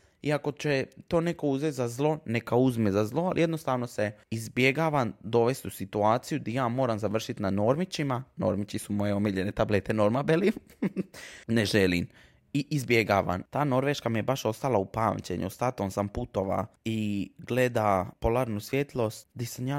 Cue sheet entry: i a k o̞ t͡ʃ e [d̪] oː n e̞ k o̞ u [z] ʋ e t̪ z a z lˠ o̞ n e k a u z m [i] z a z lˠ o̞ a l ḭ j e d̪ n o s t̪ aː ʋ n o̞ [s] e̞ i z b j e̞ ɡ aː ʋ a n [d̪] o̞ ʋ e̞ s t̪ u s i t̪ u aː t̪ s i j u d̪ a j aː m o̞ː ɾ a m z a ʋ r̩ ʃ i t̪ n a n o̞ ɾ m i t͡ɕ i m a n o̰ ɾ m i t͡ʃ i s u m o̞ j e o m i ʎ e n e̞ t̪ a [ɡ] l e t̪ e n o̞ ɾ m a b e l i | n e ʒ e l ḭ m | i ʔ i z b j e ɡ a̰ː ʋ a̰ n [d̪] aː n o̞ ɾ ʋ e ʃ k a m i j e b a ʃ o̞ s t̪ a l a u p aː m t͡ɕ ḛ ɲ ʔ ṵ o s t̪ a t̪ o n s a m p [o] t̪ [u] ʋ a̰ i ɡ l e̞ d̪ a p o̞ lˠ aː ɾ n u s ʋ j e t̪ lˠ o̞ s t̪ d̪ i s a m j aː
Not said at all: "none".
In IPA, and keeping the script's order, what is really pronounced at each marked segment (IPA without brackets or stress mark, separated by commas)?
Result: t̪, z, e, s, d̪, b, t̪, u, o